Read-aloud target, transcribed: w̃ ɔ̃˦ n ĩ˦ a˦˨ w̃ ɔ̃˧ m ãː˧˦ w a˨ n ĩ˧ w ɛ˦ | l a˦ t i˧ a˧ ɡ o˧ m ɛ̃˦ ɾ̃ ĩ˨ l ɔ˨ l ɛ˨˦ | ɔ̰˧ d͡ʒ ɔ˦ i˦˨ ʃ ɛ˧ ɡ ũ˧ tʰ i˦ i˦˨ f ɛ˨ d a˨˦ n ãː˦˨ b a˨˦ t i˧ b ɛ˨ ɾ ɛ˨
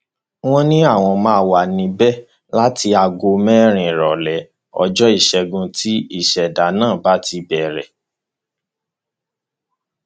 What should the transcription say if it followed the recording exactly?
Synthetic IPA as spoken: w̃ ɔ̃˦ n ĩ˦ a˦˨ w̃ ɔ̃˧ m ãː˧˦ w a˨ n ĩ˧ b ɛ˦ | l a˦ t i˧ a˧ ɡ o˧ m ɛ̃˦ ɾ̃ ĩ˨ ɾ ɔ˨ l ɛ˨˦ | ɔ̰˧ d͡ʒ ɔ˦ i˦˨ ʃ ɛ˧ ɡ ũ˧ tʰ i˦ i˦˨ ʃ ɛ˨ d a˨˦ n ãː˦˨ b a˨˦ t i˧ b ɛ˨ ɾ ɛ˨

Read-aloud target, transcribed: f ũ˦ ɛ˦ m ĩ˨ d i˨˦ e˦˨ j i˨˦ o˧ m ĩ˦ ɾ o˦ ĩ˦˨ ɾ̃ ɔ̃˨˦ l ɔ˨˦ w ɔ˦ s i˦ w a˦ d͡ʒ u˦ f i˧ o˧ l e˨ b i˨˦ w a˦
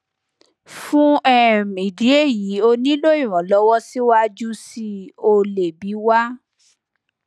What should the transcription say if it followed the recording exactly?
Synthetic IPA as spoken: f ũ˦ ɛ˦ m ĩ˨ d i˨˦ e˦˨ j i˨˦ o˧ n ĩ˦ l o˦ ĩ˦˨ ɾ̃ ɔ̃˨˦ l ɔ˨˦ w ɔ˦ s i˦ w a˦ d͡ʒ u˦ s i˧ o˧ l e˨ b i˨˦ w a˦

